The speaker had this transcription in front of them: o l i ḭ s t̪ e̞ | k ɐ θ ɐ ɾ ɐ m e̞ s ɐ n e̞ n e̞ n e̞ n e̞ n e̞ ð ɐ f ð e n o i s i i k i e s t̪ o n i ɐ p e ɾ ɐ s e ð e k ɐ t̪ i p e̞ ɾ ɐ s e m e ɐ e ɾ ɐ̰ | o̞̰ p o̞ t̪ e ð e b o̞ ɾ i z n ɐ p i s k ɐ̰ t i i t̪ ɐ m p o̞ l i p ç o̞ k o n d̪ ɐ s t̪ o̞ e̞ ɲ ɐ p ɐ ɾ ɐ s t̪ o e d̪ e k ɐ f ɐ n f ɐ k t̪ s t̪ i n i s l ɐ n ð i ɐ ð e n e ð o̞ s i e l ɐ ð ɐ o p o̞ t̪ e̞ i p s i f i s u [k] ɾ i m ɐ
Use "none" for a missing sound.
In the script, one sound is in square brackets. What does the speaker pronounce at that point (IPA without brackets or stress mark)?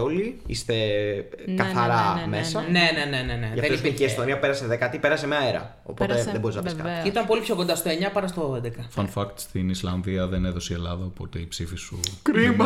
k